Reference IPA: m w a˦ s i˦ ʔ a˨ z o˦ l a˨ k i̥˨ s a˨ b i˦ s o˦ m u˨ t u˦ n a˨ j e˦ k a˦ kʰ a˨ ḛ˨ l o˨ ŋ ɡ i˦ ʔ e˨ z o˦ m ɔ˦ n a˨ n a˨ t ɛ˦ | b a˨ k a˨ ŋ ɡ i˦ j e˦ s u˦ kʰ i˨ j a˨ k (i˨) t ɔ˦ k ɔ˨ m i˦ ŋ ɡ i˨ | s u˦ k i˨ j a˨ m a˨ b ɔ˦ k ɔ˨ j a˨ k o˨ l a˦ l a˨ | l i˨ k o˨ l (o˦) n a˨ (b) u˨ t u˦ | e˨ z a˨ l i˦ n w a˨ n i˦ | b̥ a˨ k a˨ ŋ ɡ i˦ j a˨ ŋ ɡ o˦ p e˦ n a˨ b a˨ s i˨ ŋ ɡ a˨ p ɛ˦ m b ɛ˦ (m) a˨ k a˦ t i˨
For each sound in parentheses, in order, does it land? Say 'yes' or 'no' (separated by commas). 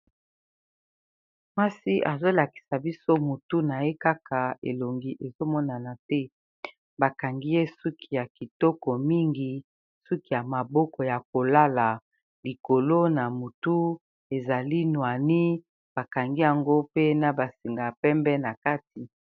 yes, yes, no, no